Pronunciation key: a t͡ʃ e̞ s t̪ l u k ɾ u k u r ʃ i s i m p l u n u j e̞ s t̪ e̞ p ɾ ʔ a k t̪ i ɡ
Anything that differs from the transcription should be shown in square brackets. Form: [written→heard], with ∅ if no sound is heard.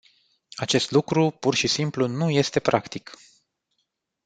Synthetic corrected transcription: a t͡ʃ e̞ s t̪ l u k ɾ u [k→p] u r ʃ i s i m p l u n u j e̞ s t̪ e̞ p ɾ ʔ a k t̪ i [ɡ→k]